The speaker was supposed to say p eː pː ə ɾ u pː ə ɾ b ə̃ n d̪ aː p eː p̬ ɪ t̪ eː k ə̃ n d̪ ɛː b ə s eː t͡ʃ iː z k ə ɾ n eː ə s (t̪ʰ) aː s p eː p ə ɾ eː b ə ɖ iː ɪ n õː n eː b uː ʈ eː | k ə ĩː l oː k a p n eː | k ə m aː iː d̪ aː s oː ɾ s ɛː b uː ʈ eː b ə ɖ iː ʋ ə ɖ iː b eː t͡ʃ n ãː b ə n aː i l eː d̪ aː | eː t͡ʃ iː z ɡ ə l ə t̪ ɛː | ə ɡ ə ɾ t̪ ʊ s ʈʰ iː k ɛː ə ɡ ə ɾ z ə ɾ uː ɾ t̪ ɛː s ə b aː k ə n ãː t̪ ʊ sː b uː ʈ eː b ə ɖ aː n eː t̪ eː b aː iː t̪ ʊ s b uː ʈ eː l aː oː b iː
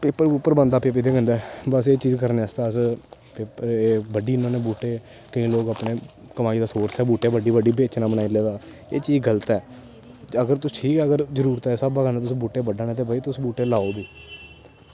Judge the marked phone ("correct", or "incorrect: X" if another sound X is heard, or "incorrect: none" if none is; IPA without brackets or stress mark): incorrect: t̪